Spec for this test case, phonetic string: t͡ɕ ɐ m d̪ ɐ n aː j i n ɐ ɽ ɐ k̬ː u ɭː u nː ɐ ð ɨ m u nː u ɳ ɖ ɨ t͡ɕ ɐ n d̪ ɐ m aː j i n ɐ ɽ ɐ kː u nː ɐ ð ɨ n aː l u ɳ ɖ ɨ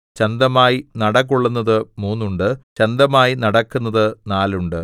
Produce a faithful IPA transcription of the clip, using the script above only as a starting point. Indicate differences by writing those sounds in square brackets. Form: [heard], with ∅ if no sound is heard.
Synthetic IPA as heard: t͡ɕ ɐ [n] d̪ ɐ [m] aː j i n ɐ ɽ ɐ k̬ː u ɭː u nː ɐ ð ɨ m [uː] nː u ɳ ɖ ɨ t͡ɕ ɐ n d̪ ɐ m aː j i n ɐ ɽ ɐ kː u nː ɐ ð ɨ n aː l u ɳ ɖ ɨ